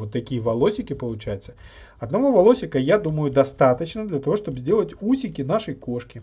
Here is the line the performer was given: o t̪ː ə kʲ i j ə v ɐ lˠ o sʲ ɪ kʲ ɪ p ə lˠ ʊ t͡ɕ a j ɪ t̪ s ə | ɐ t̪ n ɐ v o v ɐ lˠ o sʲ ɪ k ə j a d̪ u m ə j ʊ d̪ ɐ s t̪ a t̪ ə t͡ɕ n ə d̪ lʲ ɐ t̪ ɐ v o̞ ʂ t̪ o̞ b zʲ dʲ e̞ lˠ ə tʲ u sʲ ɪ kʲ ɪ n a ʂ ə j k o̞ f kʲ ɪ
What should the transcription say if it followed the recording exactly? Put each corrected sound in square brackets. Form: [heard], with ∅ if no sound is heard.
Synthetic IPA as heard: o t̪ː [ɐ] kʲ i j ə v ɐ lˠ o sʲ ɪ kʲ ɪ p ə lˠ ʊ t͡ɕ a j ɪ t̪ s ə | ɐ [d̪] n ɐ v o v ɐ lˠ o sʲ ɪ k ə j a d̪ u m ə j ʊ d̪ ɐ s t̪ a t̪ ə t͡ɕ n ə d̪ lʲ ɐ t̪ ɐ v o̞ ʂ t̪ o̞ b zʲ dʲ e̞ lˠ ə tʲ u sʲ ɪ kʲ ɪ n a ʂ ə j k o̞ [ʂ] kʲ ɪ